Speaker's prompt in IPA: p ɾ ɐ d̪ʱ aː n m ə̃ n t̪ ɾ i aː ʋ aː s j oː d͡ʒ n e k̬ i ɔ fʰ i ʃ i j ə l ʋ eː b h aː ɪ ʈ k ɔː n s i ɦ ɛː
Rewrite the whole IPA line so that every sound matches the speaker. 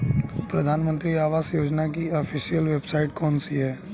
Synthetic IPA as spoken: p ɾ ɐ d̪ʱ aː n m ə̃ n t̪ ɾ i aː ʋ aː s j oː d͡ʒ n a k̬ i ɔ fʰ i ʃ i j ə l ʋ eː b s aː ɪ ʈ k ɔː n s i ɦ ɛː